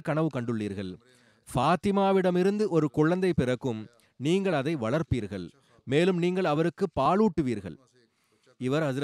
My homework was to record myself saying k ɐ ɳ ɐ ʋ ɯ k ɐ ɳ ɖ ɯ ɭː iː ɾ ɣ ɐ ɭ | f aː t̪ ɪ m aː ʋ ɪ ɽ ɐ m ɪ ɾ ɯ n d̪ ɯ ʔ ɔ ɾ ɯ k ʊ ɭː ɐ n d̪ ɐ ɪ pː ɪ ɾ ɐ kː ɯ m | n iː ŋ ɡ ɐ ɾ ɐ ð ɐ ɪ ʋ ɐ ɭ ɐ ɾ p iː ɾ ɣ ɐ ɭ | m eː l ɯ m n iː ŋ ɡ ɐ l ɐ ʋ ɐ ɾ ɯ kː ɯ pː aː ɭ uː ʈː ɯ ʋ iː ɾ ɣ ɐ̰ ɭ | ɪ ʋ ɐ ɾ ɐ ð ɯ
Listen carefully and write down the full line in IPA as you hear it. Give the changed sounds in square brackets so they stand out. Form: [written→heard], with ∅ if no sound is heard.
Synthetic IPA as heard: k ɐ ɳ ɐ ʋ ɯ k ɐ ɳ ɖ ɯ ɭː iː ɾ ɣ ɐ ɭ | f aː t̪ ɪ m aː ʋ ɪ ɽ ɐ m ɪ ɾ ɯ n d̪ ɯ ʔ ɔ ɾ ɯ k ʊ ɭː ɐ n d̪ ɐ ɪ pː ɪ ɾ ɐ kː ɯ m | n iː ŋ ɡ ɐ [ɾ→ɭ] ɐ ð ɐ ɪ ʋ ɐ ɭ ɐ ɾ p iː ɾ ɣ ɐ ɭ | m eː l ɯ m n iː ŋ ɡ ɐ [l→ɭ] ɐ ʋ ɐ ɾ ɯ kː ɯ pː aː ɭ uː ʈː ɯ ʋ iː ɾ ɣ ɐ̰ ɭ | ɪ ʋ ɐ ɾ ɐ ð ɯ